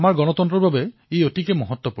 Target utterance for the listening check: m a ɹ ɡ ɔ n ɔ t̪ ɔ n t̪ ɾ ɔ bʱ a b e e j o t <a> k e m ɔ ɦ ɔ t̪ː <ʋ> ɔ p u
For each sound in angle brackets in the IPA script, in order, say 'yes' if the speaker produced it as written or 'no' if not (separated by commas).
no, no